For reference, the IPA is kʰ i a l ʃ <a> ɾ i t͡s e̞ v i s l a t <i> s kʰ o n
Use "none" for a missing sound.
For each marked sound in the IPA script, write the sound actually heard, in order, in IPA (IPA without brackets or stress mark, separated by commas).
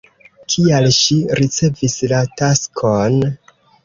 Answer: i, a